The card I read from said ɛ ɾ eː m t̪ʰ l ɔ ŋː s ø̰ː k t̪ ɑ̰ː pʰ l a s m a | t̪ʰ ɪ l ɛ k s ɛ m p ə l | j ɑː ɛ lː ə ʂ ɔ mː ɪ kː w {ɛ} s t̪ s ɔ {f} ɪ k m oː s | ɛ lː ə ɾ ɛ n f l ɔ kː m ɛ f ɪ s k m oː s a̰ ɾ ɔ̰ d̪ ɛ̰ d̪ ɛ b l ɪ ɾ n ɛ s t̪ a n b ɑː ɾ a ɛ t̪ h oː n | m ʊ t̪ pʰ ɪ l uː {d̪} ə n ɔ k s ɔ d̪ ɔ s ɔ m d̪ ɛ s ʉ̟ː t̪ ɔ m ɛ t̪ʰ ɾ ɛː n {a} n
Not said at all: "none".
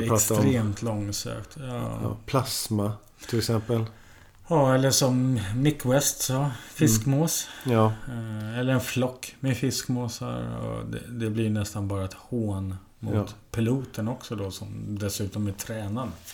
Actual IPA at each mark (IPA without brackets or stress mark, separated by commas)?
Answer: ɛ, f, t̪, a